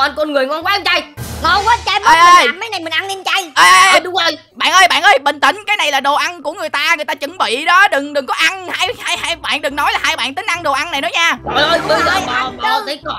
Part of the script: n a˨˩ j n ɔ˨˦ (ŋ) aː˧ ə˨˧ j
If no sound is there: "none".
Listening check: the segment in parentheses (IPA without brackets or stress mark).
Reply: ɲ